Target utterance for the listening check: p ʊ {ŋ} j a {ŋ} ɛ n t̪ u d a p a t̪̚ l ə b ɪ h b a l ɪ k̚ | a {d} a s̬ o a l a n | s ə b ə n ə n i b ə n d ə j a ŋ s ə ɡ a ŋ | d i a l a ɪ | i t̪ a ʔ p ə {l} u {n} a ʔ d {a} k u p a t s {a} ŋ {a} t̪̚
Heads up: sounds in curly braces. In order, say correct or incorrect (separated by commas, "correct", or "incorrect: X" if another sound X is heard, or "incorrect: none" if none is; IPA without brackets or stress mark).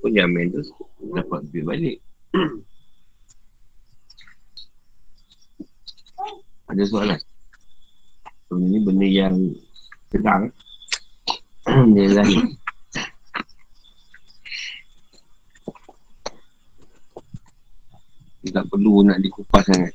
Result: incorrect: n, incorrect: m, correct, correct, correct, incorrect: i, correct, correct